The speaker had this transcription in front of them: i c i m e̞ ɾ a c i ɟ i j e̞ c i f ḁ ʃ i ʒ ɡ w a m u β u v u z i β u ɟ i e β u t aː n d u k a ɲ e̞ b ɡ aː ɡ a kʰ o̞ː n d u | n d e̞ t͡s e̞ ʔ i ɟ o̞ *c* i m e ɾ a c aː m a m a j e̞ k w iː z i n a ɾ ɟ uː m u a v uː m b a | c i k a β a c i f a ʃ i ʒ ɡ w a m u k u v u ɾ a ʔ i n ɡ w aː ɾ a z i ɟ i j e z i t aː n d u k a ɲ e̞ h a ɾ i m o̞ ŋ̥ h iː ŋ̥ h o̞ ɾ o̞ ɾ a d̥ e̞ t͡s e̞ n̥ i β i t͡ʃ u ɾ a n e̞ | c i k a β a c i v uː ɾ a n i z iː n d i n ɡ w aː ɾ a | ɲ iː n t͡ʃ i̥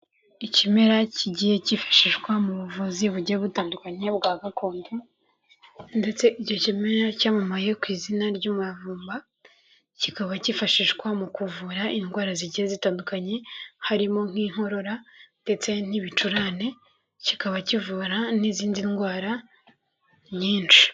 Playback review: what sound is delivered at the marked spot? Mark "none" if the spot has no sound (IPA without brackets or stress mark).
c